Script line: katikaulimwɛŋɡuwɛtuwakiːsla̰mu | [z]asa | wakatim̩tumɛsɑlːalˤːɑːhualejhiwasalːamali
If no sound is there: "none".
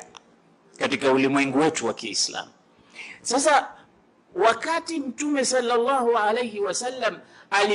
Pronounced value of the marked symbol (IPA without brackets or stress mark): s